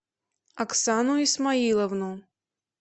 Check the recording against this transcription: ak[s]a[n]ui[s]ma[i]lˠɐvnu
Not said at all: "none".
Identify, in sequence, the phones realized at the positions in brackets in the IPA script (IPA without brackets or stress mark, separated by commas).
s, n, s, i